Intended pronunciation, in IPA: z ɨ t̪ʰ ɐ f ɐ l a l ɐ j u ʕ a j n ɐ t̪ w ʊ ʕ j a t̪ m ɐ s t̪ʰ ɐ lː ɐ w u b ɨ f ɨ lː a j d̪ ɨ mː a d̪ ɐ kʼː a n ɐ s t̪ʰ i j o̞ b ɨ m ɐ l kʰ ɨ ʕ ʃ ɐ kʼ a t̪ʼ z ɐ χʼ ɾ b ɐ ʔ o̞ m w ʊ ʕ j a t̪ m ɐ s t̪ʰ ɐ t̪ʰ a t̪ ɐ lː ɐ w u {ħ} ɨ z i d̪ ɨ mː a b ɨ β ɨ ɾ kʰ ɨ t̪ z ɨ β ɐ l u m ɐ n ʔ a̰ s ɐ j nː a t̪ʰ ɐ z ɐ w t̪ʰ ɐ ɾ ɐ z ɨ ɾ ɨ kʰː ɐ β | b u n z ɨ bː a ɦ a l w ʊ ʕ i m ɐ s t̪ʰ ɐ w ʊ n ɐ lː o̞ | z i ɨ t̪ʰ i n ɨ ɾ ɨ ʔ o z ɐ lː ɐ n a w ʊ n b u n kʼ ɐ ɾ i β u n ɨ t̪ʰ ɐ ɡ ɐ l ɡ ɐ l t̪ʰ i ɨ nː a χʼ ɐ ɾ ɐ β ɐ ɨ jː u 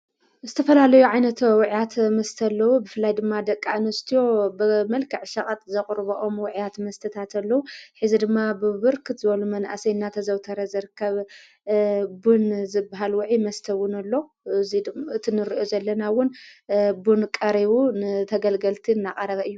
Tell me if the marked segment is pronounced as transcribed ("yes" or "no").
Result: yes